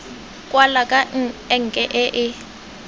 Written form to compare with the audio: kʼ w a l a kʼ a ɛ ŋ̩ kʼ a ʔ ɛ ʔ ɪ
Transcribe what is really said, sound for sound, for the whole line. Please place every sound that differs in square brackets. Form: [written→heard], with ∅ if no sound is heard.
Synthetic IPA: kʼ w a l a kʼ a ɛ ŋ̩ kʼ [a→ɛ] ʔ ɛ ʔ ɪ

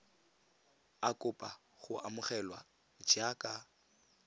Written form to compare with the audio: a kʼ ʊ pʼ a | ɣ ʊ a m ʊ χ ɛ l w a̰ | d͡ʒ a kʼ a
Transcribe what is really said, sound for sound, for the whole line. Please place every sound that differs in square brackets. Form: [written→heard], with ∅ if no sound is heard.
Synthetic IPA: a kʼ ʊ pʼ a | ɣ ʊ a m ʊ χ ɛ l w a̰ | d͡ʒ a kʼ a

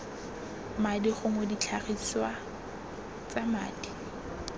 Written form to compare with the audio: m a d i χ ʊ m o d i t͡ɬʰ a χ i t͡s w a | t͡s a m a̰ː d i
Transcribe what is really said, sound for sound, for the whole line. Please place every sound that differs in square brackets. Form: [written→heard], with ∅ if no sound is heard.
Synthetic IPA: m a d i χ ʊ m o d i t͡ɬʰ a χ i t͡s w a | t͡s a m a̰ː d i

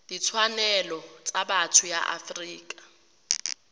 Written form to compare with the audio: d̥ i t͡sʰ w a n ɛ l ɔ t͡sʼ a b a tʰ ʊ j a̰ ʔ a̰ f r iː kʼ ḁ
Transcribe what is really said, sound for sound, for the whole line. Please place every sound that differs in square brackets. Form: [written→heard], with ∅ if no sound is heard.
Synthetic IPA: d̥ i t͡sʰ w a n ɛ l ɔ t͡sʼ a b a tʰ ʊ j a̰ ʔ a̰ f r iː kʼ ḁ

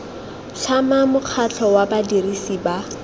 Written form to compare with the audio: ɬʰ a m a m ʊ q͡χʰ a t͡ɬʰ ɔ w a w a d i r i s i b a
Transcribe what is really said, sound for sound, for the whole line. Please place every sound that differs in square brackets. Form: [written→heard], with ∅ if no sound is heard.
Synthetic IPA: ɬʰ a m a m ʊ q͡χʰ a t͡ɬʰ ɔ w a [w→b] a d i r i s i b a

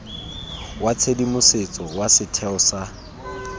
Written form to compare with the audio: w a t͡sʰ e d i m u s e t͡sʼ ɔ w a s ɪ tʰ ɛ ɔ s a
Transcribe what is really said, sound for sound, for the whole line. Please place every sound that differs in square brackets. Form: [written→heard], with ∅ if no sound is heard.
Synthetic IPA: w a t͡sʰ e d i m [u→ʊ] s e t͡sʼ ɔ w a s ɪ tʰ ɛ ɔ s a

